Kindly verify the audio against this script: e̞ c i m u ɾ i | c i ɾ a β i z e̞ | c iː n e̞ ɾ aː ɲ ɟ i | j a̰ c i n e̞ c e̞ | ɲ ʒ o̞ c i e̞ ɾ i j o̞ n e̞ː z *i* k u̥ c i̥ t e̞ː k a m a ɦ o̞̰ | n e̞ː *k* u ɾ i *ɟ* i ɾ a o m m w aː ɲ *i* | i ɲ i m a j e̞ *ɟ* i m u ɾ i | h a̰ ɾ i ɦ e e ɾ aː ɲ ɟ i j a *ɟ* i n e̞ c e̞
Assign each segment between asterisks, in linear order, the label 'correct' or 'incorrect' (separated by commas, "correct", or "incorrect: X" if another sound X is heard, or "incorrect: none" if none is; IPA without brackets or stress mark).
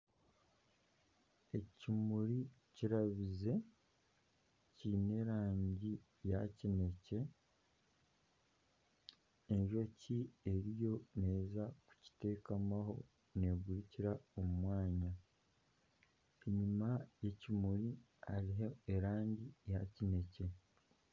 incorrect: a, incorrect: ɡ, incorrect: c, incorrect: a, incorrect: c, incorrect: c